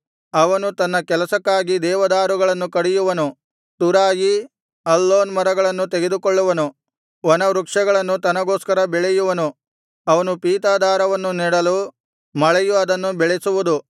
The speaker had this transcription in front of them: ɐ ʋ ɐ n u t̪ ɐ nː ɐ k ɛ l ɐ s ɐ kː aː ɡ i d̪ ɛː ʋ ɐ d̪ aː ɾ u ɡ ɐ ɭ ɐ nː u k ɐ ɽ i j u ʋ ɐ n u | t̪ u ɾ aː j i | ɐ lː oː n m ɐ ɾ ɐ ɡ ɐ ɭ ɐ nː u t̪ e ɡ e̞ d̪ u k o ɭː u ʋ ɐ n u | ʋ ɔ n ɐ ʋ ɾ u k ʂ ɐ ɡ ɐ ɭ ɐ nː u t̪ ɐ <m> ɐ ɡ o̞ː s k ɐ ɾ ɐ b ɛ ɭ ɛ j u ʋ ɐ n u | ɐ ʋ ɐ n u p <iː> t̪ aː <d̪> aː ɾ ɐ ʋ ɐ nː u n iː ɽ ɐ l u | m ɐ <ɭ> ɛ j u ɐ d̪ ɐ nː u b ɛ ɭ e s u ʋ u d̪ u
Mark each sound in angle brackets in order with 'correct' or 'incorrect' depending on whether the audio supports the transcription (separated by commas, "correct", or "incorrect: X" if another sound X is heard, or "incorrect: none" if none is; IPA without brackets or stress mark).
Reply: incorrect: n, correct, correct, correct